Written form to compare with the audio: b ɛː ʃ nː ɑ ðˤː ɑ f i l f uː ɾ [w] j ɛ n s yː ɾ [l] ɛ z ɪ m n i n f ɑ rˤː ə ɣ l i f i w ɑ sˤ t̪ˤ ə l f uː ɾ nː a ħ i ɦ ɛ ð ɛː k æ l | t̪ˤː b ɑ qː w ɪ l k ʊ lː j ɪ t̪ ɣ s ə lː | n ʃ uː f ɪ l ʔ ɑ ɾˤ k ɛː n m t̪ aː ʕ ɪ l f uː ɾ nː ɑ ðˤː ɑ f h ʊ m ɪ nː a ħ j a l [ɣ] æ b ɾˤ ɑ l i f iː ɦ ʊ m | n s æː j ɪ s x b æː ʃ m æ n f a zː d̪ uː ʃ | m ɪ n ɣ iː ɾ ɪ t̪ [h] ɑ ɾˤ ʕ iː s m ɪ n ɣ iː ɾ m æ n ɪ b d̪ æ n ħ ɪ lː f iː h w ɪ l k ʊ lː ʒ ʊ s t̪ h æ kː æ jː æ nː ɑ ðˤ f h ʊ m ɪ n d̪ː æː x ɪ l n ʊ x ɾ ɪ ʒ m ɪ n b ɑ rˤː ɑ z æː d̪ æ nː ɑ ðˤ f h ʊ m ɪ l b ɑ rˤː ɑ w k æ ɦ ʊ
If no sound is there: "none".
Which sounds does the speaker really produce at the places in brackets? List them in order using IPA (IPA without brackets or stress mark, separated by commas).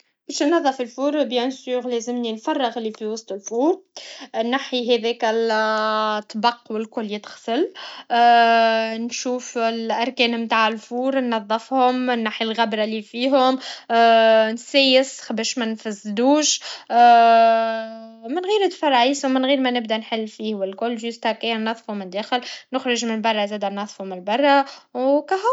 b, l, ɣ, f